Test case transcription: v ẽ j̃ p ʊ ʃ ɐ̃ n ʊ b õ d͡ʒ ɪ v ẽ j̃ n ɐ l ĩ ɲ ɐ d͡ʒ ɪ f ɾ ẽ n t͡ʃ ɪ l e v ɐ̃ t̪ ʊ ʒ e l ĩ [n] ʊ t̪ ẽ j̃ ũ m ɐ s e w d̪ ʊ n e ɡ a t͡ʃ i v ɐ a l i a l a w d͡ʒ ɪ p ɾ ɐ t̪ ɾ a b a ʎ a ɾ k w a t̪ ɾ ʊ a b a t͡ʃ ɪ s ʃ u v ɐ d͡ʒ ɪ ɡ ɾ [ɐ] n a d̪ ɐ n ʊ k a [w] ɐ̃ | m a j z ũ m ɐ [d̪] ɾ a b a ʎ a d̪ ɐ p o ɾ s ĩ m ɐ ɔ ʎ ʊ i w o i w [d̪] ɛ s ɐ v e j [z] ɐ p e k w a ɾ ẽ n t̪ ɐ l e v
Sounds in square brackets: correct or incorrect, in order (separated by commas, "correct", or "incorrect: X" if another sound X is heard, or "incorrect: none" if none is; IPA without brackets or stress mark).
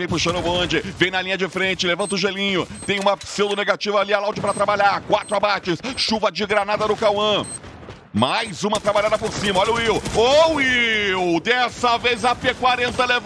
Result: incorrect: ɲ, incorrect: a, correct, incorrect: t̪, correct, correct